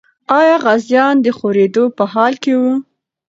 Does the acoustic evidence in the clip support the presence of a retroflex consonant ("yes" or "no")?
no